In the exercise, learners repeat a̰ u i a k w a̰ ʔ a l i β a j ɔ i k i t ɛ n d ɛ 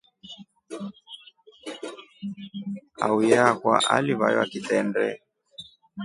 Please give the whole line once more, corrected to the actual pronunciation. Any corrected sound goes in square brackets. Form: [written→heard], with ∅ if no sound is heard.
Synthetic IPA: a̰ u [i→j] a k w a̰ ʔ a l i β a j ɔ [i→a] k i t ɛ n d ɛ